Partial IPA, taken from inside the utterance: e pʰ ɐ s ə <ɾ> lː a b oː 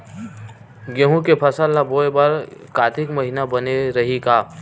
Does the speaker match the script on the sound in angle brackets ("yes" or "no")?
no